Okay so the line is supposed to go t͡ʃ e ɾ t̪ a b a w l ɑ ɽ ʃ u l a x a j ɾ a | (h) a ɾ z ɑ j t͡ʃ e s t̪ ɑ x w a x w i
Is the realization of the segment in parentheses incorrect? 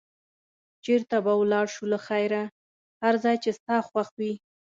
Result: no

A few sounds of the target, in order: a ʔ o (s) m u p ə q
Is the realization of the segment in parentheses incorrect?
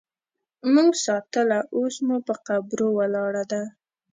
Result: no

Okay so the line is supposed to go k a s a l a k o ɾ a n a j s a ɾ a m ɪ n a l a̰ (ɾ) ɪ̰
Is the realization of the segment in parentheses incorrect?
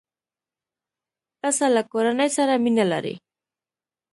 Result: no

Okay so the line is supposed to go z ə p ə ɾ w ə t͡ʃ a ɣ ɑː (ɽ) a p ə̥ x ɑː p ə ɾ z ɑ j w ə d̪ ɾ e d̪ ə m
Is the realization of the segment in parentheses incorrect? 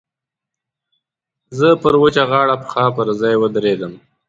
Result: no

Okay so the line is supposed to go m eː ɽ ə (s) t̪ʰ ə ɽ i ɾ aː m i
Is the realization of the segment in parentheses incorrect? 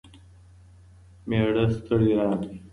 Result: no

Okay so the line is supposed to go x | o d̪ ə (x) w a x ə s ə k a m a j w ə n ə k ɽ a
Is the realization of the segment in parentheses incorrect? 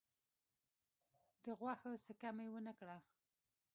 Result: yes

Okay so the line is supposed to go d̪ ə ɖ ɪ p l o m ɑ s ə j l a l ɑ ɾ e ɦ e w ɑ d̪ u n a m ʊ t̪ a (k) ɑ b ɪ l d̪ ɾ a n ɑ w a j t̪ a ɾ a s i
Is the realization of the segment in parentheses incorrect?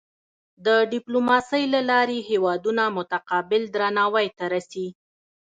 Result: yes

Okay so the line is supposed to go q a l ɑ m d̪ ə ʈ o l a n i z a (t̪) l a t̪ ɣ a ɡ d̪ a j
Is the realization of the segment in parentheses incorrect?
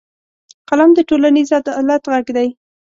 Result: yes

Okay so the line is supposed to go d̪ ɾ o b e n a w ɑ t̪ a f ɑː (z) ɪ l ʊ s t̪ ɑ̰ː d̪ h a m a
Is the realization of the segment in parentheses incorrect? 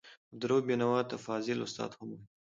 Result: no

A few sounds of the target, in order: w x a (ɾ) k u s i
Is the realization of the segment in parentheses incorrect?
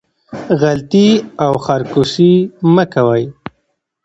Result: no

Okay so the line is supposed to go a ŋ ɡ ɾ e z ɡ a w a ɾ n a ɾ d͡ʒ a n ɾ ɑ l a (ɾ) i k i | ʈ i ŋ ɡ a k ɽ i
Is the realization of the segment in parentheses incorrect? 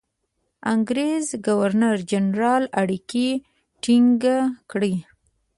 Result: yes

